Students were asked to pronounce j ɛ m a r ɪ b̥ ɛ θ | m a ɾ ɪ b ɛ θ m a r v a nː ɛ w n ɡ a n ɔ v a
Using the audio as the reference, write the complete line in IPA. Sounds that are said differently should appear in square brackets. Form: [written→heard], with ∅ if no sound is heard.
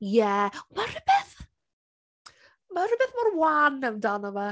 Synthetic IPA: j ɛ m a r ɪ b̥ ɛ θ | m a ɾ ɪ b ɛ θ m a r [v→w] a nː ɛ w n [ɡ→d] a n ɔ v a